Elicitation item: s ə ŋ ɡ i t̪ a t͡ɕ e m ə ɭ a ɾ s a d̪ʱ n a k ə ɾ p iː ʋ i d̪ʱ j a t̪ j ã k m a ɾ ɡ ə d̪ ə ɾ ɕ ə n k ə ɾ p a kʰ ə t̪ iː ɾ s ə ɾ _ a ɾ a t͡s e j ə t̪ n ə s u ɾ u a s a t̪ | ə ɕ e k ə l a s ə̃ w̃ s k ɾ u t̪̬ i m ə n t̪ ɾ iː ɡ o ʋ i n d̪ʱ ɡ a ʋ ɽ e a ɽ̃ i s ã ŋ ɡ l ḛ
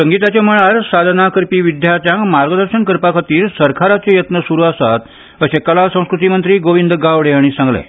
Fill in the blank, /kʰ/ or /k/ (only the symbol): kʰ